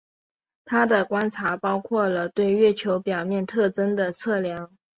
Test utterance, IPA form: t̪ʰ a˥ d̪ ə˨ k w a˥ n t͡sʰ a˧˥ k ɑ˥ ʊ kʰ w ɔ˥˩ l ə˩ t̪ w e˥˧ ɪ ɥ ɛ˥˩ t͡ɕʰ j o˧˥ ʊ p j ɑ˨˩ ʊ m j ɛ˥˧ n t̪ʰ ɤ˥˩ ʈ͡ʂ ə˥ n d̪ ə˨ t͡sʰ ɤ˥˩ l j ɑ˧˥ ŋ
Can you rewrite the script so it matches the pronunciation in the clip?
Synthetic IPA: t̪ʰ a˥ d̪ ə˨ k w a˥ n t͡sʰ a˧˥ p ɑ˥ ʊ kʰ w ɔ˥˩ l ə˩ t̪ w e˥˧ ɪ ɥ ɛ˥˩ t͡ɕʰ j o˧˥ ʊ p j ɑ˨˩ ʊ m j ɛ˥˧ n t̪ʰ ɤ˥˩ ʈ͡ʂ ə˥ n d̪ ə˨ t͡sʰ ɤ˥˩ l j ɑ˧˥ ŋ